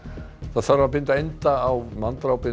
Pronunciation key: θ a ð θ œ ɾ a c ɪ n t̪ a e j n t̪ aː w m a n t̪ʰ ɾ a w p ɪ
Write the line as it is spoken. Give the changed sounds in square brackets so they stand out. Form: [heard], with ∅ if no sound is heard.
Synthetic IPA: θ a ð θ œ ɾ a [p] ɪ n t̪ a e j n t̪ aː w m a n [t̪] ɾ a w p ɪ